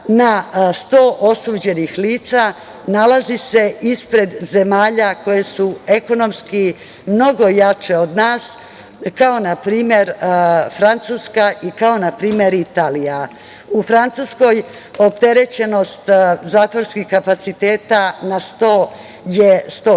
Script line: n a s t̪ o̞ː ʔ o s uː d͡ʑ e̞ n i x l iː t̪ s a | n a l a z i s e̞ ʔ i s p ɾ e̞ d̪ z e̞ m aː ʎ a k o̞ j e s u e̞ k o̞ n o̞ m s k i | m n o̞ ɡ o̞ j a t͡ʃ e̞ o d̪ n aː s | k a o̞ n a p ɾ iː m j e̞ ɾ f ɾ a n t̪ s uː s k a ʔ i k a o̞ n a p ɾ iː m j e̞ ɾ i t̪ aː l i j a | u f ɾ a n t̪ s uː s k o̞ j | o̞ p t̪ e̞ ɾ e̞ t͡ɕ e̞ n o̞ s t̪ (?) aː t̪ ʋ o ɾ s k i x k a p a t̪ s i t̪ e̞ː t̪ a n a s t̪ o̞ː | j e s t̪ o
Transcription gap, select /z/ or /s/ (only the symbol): z